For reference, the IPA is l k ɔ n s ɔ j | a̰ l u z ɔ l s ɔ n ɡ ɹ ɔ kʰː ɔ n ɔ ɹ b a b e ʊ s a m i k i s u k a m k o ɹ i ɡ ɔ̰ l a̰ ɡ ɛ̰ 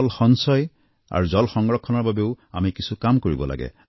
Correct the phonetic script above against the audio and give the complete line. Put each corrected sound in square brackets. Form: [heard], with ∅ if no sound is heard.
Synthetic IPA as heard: l [x] ɔ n s ɔ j | a̰ [ɹ] u z ɔ l [x] ɔ [ŋ] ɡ ɹ ɔ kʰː ɔ n ɔ ɹ b a b e ʊ [∅] a m i k i s u k a m k o ɹ i [b] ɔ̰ l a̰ ɡ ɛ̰